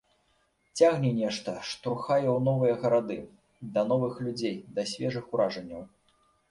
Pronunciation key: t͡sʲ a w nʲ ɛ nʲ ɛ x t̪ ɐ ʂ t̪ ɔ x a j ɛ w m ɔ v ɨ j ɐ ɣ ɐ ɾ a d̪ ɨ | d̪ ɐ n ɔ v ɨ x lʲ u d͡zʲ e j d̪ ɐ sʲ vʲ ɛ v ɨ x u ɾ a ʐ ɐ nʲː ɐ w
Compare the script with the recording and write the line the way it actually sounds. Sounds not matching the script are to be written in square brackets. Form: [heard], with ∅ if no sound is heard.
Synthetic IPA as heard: t͡sʲ a [ɣ] nʲ ɛ nʲ ɛ [ʂ] t̪ ɐ ʂ t̪ ɔ x a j ɛ w [n] ɔ v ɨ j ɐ ɣ ɐ ɾ a d̪ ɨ | d̪ ɐ n ɔ v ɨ x lʲ u d͡zʲ e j d̪ ɐ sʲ vʲ ɛ [ʐ] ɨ x u ɾ a ʐ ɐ nʲː ɐ w